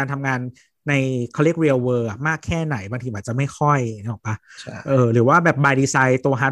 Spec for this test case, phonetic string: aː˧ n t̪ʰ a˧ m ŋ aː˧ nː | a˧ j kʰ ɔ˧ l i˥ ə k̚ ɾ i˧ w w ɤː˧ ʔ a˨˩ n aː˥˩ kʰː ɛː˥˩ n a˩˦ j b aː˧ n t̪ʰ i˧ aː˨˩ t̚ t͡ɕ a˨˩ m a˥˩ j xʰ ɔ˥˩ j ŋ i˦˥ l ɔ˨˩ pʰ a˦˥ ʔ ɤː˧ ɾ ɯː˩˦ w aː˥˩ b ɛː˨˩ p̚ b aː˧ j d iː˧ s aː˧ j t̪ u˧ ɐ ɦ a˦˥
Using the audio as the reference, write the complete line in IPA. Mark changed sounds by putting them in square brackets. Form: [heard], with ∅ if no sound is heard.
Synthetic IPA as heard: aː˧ n t̪ʰ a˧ m ŋ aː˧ nː | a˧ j kʰ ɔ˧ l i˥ ə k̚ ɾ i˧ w w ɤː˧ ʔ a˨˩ [m] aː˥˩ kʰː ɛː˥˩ n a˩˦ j b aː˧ [ŋ] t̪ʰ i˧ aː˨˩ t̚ t͡ɕ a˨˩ m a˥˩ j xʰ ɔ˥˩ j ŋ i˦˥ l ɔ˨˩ [p] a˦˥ ʔ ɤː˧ ɾ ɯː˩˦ w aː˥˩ b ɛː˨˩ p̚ b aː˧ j d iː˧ s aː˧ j t̪ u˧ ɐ ɦ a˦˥